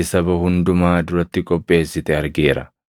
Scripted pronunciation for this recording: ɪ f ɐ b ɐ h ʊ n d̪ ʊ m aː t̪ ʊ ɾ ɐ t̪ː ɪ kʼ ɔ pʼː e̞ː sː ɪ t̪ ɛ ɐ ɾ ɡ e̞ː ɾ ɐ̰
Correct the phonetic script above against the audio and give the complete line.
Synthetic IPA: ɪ s ɐ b ɐ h ʊ n d̪ ʊ m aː d̪ ʊ ɾ ɐ t̪ː ɪ kʼ ɔ pʼː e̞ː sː ɪ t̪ ɛ ɐ ɾ ɡ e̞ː ɾ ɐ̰